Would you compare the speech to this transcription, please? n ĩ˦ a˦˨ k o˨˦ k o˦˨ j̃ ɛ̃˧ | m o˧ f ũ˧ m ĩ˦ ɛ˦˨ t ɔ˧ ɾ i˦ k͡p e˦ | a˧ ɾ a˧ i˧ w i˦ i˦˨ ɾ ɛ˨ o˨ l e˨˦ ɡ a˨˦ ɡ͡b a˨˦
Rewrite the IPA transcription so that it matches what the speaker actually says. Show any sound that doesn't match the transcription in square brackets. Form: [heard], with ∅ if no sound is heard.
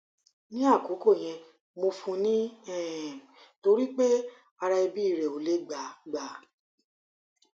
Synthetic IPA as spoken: n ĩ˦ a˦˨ k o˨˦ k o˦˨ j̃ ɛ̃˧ | m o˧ f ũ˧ [n] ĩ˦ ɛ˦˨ t [o˧] ɾ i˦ k͡p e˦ | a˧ ɾ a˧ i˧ [b] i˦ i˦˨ ɾ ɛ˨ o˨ l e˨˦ [ɡ͡b] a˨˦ ɡ͡b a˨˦